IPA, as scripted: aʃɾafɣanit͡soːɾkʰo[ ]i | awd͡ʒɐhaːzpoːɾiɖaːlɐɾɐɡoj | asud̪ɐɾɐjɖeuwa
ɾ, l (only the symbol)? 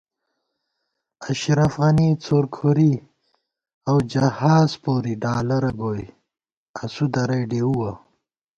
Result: ɾ